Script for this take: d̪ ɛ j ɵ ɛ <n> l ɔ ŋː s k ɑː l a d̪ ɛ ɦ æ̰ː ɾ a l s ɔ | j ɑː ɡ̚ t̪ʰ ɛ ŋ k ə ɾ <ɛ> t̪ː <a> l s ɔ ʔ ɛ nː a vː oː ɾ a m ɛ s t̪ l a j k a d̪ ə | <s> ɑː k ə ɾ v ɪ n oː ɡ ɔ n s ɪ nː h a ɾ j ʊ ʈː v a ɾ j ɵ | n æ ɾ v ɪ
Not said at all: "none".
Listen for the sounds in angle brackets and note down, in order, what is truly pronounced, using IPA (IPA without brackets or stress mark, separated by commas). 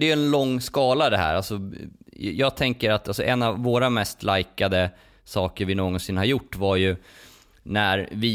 n, a, a, s